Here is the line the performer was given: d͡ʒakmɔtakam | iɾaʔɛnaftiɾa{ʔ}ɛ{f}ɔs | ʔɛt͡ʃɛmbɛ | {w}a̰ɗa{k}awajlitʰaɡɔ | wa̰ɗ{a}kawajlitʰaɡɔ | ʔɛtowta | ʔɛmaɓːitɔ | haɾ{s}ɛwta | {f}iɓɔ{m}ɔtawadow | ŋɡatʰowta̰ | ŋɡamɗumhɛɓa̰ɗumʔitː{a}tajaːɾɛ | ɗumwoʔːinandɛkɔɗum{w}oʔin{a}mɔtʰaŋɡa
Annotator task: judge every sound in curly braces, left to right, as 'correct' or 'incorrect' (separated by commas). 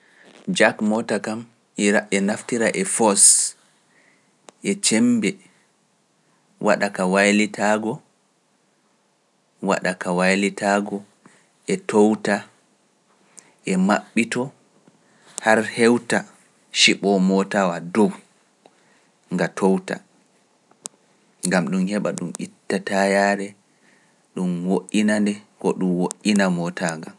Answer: correct, correct, correct, correct, correct, incorrect, incorrect, correct, correct, correct, correct